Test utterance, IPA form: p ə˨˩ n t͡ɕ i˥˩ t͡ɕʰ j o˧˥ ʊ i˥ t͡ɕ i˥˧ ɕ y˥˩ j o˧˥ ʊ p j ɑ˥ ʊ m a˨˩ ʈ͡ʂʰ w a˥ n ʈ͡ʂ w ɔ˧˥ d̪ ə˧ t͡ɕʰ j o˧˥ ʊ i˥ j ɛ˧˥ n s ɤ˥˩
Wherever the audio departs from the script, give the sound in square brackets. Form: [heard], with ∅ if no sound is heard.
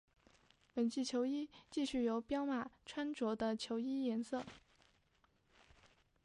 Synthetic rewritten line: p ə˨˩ n t͡ɕ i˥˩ t͡ɕʰ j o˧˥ ʊ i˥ t͡ɕ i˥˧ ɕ y˥˩ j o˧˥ ʊ p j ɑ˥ ʊ m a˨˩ ʈ͡ʂʰ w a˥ n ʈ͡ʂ w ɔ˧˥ d̪ ə˧ t͡ɕʰ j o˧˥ ʊ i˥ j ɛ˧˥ n s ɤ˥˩